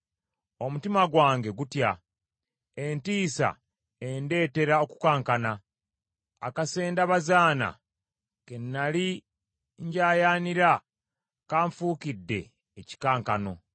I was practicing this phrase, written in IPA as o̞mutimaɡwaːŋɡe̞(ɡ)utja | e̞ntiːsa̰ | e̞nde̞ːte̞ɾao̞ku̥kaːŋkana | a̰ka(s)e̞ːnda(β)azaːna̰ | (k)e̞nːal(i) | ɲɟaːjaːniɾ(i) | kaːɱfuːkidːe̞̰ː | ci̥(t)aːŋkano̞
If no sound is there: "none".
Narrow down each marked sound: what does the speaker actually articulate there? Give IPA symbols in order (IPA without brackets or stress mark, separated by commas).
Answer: ɡ, s, β, k, i, a, k